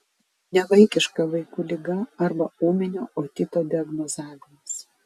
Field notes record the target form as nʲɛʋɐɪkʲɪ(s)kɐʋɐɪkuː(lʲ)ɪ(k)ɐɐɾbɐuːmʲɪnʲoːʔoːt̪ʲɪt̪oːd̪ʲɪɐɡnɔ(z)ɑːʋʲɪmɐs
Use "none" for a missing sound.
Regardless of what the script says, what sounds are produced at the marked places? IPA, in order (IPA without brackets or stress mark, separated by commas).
ʃ, lʲ, ɡ, z